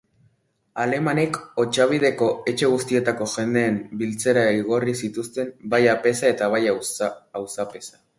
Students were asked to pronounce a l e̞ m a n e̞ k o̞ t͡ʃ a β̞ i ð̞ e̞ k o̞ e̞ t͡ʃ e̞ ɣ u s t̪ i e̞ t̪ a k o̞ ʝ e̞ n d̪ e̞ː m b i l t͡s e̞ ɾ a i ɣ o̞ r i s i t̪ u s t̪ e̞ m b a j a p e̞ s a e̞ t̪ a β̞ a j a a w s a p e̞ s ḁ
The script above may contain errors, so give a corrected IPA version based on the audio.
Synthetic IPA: a l e̞ m a n e̞ k o̞ t͡ʃ a β̞ i ð̞ e̞ k o̞ e̞ t͡ʃ e̞ ɣ u s t̪ i e̞ t̪ a k o̞ ʝ e̞ n d̪ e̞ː m b i l t͡s e̞ ɾ a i ɣ o̞ r i s i t̪ u s t̪ e̞ m b a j a p e̞ s a e̞ t̪ a β̞ a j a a w s a p e̞ s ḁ